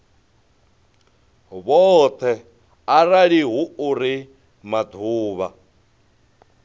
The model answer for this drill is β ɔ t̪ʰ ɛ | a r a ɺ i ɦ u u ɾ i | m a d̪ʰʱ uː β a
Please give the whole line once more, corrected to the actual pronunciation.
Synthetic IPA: β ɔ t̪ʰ ɛ | a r a ɺ i ɦ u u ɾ i | m a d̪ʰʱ uː β a